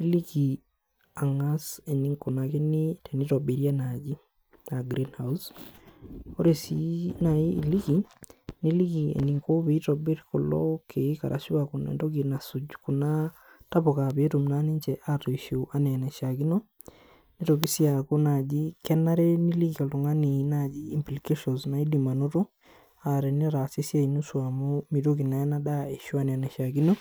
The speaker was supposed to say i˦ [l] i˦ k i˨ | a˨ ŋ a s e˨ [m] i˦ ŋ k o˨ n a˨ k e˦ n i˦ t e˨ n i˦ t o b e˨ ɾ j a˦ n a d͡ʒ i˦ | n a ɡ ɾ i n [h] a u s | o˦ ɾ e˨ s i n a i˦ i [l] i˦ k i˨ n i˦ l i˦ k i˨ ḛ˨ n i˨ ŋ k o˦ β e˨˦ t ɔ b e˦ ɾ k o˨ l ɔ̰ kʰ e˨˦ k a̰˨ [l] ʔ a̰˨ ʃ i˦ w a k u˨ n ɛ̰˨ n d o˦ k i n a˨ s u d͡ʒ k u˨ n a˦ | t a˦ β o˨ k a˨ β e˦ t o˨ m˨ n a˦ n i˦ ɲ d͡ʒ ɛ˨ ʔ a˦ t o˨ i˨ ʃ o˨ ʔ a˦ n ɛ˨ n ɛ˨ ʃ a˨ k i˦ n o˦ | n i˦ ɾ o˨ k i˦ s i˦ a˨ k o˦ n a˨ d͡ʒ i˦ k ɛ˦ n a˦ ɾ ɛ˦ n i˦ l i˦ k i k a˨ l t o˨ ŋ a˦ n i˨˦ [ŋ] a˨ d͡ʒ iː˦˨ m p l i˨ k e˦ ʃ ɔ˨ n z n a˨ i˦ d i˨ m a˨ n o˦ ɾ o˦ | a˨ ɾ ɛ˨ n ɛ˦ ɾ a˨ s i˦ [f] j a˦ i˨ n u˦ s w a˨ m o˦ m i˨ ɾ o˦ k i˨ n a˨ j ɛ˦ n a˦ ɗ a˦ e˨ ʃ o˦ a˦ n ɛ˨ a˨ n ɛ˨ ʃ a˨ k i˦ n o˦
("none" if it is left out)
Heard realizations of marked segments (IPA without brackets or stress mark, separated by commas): l, n, h, l, ɾ, n, s